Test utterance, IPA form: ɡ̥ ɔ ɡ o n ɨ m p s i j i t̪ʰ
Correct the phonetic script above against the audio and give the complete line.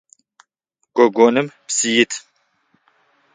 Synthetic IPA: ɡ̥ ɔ ɡ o n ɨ m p s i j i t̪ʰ